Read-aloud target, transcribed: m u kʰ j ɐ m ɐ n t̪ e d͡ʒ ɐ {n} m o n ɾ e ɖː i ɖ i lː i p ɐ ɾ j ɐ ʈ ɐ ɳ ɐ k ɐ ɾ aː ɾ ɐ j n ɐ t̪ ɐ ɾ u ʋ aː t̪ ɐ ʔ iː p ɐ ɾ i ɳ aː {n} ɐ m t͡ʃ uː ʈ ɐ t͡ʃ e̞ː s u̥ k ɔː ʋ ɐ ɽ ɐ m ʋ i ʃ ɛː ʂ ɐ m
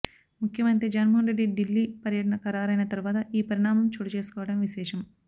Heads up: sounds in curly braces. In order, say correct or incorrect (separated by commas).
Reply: correct, incorrect